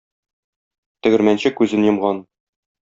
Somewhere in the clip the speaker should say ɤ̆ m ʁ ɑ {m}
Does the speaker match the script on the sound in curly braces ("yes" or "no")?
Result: no